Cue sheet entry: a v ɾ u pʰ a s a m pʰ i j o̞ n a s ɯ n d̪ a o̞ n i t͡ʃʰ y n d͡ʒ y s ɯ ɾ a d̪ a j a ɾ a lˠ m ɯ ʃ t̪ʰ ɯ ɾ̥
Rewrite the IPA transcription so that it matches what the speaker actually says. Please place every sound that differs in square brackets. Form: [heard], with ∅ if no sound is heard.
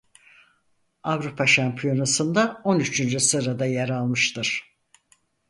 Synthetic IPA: a v ɾ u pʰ a [ʃ] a m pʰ i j o̞ n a s ɯ n d̪ a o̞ n [y] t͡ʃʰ y n d͡ʒ y s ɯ ɾ a d̪ a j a ɾ a lˠ m ɯ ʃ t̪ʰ ɯ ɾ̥